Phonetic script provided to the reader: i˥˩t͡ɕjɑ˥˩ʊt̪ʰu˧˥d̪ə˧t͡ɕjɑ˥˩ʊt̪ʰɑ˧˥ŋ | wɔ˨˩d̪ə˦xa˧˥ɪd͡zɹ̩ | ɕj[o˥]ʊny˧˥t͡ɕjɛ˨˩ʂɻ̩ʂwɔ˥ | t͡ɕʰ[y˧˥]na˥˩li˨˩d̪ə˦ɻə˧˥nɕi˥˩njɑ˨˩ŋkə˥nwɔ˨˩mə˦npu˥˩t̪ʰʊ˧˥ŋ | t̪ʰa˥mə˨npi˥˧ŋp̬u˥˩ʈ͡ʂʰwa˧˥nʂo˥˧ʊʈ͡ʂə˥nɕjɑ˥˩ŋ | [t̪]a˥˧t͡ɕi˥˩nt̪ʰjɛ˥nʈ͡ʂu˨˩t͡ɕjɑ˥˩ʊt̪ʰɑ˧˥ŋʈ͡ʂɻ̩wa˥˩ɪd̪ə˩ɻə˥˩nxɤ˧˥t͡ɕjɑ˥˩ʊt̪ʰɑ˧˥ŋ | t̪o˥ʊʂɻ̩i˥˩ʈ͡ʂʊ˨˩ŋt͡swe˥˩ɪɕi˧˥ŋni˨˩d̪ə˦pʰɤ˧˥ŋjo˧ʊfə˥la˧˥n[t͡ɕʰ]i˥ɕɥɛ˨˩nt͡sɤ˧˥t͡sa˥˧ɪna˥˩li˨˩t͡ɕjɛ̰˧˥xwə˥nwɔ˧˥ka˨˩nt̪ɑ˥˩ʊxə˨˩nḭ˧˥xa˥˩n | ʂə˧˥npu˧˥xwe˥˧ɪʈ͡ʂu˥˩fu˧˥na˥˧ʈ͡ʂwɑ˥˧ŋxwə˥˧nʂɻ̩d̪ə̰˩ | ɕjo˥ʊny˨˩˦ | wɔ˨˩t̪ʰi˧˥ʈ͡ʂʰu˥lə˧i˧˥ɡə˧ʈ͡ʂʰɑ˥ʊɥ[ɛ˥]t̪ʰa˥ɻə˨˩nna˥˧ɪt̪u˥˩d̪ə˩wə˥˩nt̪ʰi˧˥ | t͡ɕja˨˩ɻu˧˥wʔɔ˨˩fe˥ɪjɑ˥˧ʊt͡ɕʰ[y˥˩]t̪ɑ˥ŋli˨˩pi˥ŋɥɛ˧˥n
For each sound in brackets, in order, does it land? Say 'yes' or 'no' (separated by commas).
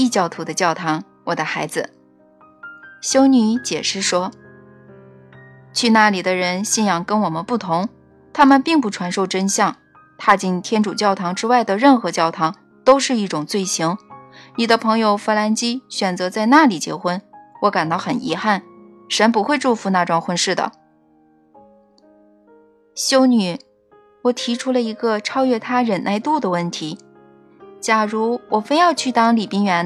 yes, no, no, no, no, yes